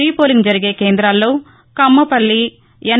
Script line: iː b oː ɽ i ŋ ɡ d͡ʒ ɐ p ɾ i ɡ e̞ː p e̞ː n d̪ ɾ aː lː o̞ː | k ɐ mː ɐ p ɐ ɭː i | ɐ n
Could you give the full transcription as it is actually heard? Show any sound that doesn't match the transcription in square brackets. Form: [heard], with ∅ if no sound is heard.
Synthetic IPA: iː [p] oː [l] i ŋ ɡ d͡ʒ ɐ [∅] ɾ i ɡ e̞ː [k] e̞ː n d̪ ɾ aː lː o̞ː | k ɐ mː ɐ p ɐ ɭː i | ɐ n

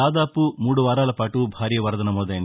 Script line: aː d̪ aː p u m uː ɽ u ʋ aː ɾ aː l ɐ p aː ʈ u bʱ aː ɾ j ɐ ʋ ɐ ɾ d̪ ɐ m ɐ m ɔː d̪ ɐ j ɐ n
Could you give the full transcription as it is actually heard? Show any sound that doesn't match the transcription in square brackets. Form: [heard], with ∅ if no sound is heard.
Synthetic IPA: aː d̪ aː p u m uː ɽ u ʋ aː ɾ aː l ɐ p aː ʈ u bʱ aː ɾ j ɐ ʋ ɐ ɾ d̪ ɐ [n] ɐ m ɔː d̪ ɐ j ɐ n

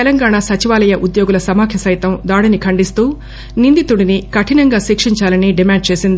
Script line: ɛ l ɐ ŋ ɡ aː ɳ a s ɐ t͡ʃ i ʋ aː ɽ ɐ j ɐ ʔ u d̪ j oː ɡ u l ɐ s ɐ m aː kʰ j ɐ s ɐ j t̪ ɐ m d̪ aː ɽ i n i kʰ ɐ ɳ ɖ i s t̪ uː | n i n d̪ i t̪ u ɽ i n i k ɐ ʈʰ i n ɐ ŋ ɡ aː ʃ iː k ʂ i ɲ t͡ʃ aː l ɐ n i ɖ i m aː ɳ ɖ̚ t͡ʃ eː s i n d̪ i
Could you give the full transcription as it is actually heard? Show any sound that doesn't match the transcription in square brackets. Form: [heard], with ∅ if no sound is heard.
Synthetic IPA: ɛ l ɐ ŋ ɡ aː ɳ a s ɐ t͡ʃ i ʋ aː [l] ɐ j ɐ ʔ u d̪ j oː ɡ u l ɐ s ɐ m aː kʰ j ɐ s ɐ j t̪ ɐ m d̪ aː ɽ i n i kʰ ɐ ɳ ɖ i s t̪ uː | n i n d̪ i t̪ u ɽ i n i k ɐ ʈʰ i n ɐ ŋ ɡ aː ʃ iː k ʂ i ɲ t͡ʃ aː l ɐ n i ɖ i m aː ɳ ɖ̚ t͡ʃ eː s i n d̪ i

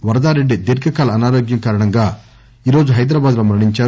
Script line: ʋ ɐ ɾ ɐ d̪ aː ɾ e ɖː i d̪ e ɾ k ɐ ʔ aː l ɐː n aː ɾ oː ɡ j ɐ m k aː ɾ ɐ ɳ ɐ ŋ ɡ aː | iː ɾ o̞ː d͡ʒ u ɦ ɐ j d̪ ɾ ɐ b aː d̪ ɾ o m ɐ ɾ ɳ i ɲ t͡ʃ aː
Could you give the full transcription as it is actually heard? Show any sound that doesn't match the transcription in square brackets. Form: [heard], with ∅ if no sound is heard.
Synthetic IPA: ʋ ɐ ɾ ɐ d̪ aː ɾ e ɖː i d̪ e ɾ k ɐ [k] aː l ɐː n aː ɾ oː ɡ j ɐ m k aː ɾ ɐ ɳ ɐ ŋ ɡ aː | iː ɾ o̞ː d͡ʒ u ɦ ɐ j d̪ ɾ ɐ b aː d̪ [l] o m ɐ ɾ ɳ i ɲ t͡ʃ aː

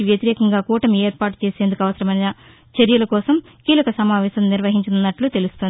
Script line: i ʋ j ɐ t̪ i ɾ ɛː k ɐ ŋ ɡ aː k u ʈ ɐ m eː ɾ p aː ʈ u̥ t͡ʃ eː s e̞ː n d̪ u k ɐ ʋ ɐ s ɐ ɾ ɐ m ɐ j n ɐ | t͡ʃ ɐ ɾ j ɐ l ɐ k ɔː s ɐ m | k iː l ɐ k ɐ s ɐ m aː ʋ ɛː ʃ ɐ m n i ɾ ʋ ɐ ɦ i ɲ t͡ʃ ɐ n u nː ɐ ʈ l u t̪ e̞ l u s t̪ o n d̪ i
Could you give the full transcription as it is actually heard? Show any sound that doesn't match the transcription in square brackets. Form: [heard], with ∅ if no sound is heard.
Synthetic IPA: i ʋ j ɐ t̪ i ɾ ɛː k ɐ ŋ ɡ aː k [uː] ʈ ɐ m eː ɾ p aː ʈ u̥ t͡ʃ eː s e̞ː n d̪ u k ɐ ʋ ɐ s ɐ ɾ ɐ m ɐ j n ɐ | t͡ʃ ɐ ɾ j ɐ l ɐ k ɔː s ɐ m | k iː l ɐ k ɐ s ɐ m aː ʋ ɛː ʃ ɐ m n i ɾ ʋ ɐ ɦ i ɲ t͡ʃ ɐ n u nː ɐ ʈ l u t̪ e̞ l u s t̪ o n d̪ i

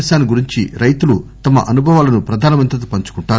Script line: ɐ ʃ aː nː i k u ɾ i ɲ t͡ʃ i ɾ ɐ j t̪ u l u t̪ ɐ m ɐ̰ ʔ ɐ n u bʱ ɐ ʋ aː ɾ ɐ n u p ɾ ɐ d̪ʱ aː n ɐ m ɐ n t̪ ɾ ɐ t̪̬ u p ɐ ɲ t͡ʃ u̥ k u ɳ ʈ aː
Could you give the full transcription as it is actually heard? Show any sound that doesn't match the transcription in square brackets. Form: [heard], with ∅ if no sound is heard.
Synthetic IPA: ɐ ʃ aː [n] i [ɡ] u ɾ i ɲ t͡ʃ i ɾ ɐ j t̪ u l u t̪ ɐ m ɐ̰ ʔ ɐ n u bʱ ɐ ʋ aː [l] ɐ n u p ɾ ɐ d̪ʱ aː n ɐ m ɐ n t̪ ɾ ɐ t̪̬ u p ɐ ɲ t͡ʃ u̥ k u ɳ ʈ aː

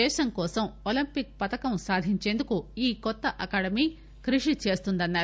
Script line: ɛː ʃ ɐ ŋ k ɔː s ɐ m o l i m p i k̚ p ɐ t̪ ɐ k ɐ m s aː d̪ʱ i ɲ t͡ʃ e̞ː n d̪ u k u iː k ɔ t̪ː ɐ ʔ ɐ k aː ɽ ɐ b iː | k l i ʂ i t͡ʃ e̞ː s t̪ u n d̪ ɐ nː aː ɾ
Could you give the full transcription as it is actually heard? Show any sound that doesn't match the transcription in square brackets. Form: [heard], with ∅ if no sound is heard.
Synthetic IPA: ɛː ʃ ɐ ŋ k ɔː s ɐ m o l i m p i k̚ p ɐ t̪ ɐ k ɐ m s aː d̪ʱ i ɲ t͡ʃ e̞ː n d̪ u k u iː k ɔ t̪ː ɐ ʔ ɐ k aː ɽ ɐ [m] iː | k [ɾ] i ʂ i t͡ʃ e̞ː s t̪ u n d̪ ɐ nː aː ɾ

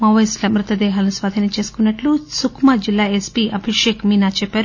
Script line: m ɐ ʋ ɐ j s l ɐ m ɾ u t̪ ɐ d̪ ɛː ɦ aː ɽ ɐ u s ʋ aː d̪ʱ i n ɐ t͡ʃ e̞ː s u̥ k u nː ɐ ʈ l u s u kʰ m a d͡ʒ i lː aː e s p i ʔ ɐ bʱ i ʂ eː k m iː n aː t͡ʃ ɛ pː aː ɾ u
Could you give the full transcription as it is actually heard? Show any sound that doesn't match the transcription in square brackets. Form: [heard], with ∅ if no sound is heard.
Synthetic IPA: m ɐ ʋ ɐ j s l ɐ m ɾ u t̪ ɐ d̪ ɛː ɦ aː [l] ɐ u s ʋ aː d̪ʱ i n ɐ t͡ʃ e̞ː s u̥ k u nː ɐ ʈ l u s u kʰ m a d͡ʒ i lː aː e s p i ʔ ɐ bʱ i ʂ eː k m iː n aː t͡ʃ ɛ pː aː ɾ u

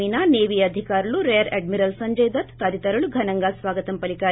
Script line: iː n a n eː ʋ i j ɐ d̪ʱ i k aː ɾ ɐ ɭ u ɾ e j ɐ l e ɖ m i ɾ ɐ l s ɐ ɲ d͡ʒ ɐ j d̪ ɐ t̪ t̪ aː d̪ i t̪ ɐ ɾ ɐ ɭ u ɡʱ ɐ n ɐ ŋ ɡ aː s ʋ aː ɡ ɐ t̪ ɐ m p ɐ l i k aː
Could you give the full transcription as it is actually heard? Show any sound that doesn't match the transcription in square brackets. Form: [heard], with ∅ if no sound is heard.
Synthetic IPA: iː n a n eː ʋ i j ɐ d̪ʱ i k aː ɾ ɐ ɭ u ɾ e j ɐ [ɾ] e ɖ m i ɾ ɐ l s ɐ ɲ d͡ʒ ɐ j d̪ ɐ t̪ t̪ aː d̪ i t̪ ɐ ɾ ɐ ɭ u ɡʱ ɐ n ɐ ŋ ɡ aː s ʋ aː ɡ ɐ t̪ ɐ m p ɐ l i k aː

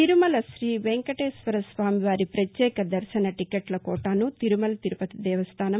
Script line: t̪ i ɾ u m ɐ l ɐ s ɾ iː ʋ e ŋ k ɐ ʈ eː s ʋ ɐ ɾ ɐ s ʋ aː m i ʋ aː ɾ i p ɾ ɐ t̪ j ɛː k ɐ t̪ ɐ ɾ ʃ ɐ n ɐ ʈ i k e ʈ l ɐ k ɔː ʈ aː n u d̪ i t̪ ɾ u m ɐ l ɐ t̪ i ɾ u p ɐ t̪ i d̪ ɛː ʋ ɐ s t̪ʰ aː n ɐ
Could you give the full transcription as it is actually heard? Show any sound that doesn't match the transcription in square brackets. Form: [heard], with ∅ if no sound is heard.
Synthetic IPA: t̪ i ɾ u m ɐ l ɐ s ɾ iː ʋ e ŋ k ɐ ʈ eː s ʋ ɐ ɾ ɐ s ʋ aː m i ʋ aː ɾ i p ɾ ɐ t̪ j ɛː k ɐ [d̪] ɐ ɾ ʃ ɐ n ɐ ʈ i k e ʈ l ɐ k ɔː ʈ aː n u [t̪] i [∅] ɾ u m ɐ l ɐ t̪ i ɾ u p ɐ t̪ i d̪ ɛː ʋ ɐ s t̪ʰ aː n ɐ

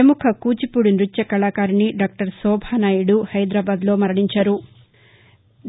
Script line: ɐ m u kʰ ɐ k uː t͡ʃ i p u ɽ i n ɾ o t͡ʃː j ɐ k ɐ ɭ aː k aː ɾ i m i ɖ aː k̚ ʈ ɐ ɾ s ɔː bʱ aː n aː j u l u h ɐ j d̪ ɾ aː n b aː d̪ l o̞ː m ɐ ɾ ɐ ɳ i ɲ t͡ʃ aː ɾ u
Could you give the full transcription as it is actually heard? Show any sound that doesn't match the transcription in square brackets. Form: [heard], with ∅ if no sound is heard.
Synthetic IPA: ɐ m u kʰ ɐ k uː t͡ʃ i p u ɽ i n ɾ [u] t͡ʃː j ɐ k ɐ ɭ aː k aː ɾ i [n] i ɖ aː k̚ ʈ ɐ ɾ s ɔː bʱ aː n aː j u [ɽ] u h ɐ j d̪ ɾ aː [∅] b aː d̪ l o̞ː m ɐ ɾ ɐ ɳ i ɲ t͡ʃ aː ɾ u

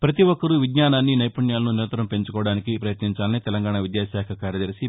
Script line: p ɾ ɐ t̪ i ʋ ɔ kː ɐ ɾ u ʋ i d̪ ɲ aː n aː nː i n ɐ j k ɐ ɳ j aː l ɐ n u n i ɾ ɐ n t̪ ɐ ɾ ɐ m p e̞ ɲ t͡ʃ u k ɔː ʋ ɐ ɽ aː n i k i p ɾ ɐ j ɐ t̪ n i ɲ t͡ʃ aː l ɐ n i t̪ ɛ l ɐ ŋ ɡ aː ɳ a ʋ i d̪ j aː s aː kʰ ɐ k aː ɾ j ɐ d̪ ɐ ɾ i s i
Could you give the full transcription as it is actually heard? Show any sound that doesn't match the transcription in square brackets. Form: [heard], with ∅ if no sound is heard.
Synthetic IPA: p ɾ ɐ t̪ i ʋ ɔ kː ɐ ɾ u ʋ i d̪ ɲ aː n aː nː i n ɐ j [p] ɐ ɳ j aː l ɐ n u n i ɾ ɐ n t̪ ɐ ɾ ɐ m p e̞ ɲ t͡ʃ u k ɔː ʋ ɐ ɽ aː n i k i p ɾ ɐ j ɐ t̪ n i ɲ t͡ʃ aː l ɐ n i t̪ ɛ l ɐ ŋ ɡ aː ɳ a ʋ i d̪ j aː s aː kʰ ɐ k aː ɾ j ɐ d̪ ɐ ɾ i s i

